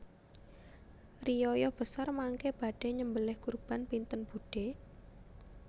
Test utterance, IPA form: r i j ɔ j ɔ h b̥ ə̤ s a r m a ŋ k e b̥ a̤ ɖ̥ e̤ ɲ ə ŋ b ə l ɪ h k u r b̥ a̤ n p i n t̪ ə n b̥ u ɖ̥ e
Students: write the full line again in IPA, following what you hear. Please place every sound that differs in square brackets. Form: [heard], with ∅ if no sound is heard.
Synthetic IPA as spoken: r i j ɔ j ɔ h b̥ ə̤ s a r m a ŋ k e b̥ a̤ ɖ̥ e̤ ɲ ə [m] b ə l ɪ h k u r b̥ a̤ n p i n t̪ ə n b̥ u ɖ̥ e

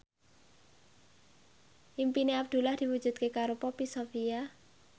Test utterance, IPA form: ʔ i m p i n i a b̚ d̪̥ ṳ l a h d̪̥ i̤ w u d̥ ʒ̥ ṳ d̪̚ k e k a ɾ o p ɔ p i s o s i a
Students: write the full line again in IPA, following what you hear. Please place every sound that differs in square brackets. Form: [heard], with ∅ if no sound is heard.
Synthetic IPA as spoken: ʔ i m p i n [e] a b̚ d̪̥ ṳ l a h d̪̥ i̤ w u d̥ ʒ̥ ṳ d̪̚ k e k a ɾ o p ɔ p i s o [f] i a

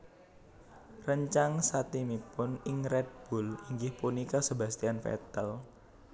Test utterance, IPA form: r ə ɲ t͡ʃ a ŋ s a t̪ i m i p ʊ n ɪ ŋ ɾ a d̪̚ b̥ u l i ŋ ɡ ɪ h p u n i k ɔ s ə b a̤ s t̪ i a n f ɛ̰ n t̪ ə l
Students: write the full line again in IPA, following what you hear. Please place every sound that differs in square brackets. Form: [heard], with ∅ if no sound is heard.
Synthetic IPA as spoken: r ə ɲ t͡ʃ a ŋ s a t̪ i m i p ʊ n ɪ ŋ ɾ [ɛ] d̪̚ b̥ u l i ŋ ɡ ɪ h p u n i k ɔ s ə b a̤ s t̪ i a n f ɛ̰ [∅] t̪ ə l

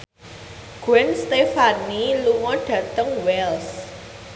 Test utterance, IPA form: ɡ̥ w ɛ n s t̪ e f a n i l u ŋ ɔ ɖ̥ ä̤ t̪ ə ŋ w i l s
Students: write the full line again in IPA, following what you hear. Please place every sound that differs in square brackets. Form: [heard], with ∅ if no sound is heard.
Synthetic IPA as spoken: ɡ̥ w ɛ n s t̪ e f a n i l u ŋ ɔ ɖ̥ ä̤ t̪ ə ŋ w [ɛ] l s

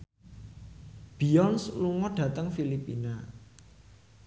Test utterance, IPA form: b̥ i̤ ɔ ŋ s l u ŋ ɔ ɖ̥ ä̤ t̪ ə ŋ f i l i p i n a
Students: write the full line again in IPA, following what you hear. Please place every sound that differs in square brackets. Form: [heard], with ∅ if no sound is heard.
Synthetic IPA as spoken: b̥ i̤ ɔ [n] s l u ŋ ɔ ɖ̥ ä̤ t̪ ə ŋ f i l i p i n a

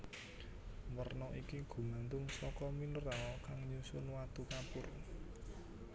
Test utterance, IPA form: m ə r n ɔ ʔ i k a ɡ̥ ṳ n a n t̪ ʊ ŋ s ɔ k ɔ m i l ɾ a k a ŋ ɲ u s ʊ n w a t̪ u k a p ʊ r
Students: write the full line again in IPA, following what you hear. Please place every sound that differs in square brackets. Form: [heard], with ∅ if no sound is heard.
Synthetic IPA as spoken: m ə r n ɔ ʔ i k [i] ɡ̥ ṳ [m] a n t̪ ʊ ŋ s ɔ k ɔ m i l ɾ a k a ŋ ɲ u s ʊ n w a t̪ u k a p ʊ r

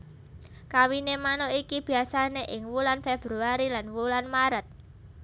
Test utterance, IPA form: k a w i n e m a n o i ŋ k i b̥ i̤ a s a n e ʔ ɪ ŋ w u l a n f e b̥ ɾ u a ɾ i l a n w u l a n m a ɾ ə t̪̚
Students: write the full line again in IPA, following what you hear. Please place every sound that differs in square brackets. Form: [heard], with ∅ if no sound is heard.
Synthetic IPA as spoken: k a w i n e m a n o i [∅] k i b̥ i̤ a s a n e ʔ ɪ ŋ w u l a n f e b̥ ɾ u a ɾ i l a n w u l a n m a ɾ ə t̪̚

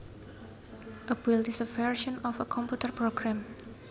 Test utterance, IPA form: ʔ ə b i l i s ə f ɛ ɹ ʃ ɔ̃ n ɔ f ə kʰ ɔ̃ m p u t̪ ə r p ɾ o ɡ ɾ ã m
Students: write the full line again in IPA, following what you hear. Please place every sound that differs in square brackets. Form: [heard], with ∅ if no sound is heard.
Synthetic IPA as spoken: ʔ ə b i l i s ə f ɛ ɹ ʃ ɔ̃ n ɔ f ə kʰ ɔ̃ m p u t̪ ə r p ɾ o ɡ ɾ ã m

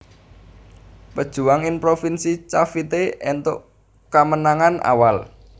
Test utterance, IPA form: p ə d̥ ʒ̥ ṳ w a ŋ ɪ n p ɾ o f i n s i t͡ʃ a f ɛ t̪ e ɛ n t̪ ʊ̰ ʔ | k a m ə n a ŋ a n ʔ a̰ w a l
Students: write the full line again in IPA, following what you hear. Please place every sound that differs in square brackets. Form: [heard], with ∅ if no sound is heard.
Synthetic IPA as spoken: p ə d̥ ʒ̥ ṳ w a ŋ ɪ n p ɾ o f i n s i t͡ʃ a f [i] t̪ e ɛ n t̪ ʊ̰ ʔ | k a m ə n a ŋ a n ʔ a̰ w a l

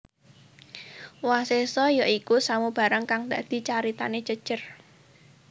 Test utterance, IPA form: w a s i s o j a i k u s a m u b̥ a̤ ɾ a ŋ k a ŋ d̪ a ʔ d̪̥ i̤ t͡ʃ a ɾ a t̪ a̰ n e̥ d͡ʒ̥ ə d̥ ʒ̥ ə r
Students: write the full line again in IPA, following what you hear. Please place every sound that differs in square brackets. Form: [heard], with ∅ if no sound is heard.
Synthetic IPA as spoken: w a s [e] s [ɔ] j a i k u s a m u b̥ a̤ ɾ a ŋ k a ŋ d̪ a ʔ d̪̥ i̤ t͡ʃ a ɾ [i] t̪ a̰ n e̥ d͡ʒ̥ ə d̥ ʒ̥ ə r

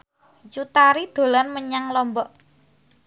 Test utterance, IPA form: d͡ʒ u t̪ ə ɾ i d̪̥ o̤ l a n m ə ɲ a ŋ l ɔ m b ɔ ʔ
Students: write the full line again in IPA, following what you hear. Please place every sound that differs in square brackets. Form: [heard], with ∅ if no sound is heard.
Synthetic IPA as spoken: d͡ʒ u t̪ [a] ɾ i d̪̥ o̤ l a n m ə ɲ a ŋ l ɔ m b ɔ ʔ

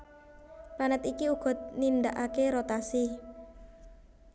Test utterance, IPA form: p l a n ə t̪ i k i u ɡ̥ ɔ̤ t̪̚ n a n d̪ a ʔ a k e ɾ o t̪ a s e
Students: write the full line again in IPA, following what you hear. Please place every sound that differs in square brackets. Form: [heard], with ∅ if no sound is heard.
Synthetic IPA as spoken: p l a n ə t̪ i k i u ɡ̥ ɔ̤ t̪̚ n [i] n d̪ a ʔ a k e ɾ o t̪ a s [i]

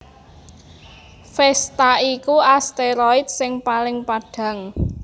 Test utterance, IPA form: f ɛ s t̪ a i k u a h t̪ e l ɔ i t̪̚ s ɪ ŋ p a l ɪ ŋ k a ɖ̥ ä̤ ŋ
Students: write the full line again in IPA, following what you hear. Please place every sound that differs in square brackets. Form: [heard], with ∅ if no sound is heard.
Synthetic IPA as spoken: f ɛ s t̪ a i k u a [s] t̪ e [ɾ] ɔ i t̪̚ s ɪ ŋ p a l ɪ ŋ [p] a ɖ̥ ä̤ ŋ

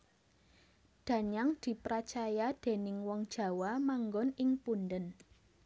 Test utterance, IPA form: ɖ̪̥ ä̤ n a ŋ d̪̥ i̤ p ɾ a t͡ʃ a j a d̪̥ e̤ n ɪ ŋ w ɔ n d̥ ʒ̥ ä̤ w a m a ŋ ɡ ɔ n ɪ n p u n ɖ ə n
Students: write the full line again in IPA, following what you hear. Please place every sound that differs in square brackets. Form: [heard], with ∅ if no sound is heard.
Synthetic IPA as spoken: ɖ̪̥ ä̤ [ɲ] a ŋ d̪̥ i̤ p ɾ a t͡ʃ a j a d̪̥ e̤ n ɪ ŋ w ɔ [ŋ] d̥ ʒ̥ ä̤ w a m a ŋ ɡ ɔ n ɪ [ŋ] p u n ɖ ə n

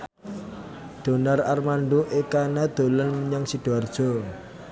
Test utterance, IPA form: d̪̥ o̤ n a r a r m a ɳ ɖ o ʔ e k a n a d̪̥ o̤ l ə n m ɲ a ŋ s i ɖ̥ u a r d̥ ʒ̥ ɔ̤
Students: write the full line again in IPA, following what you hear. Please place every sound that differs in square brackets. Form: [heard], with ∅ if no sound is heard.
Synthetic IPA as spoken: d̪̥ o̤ n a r a r m a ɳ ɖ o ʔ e k a n a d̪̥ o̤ l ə n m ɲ a ŋ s i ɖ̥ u a r d̥ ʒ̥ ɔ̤

